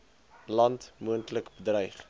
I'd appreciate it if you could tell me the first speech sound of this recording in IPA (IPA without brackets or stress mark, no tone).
l